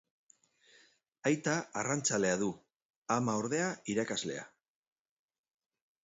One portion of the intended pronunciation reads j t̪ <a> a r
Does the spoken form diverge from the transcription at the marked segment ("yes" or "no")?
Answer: no